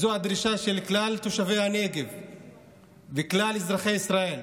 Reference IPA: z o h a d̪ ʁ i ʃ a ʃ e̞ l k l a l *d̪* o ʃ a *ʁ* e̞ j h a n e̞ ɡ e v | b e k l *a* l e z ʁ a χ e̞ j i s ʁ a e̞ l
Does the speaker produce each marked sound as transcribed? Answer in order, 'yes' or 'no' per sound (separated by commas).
no, no, yes